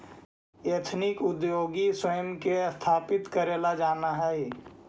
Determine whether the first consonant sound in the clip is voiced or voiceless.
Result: voiceless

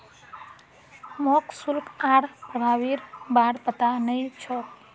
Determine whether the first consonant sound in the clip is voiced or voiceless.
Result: voiced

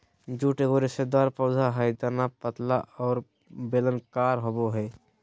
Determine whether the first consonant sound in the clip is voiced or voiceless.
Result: voiced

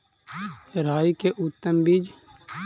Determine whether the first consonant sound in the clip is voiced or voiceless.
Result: voiced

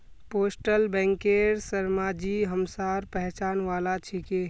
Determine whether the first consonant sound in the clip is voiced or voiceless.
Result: voiceless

